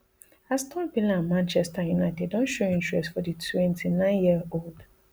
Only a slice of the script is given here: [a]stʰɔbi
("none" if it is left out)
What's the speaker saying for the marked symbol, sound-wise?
a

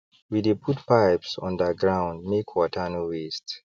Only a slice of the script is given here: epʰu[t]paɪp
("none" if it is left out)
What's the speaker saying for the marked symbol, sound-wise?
t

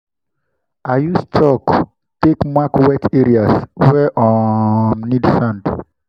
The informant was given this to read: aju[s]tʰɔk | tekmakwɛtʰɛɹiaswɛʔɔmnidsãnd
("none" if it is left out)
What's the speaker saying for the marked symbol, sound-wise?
s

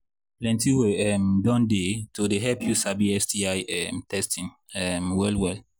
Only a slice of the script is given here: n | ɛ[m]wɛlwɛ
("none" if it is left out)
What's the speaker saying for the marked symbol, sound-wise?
m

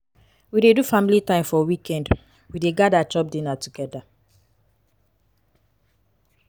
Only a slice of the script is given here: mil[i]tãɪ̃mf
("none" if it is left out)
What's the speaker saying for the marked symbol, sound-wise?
i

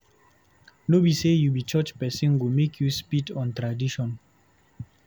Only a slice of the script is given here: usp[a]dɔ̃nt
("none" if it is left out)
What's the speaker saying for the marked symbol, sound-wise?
i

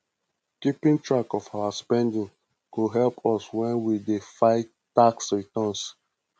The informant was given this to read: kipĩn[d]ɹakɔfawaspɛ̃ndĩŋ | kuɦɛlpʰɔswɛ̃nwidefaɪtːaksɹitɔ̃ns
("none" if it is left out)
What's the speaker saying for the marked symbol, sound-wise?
t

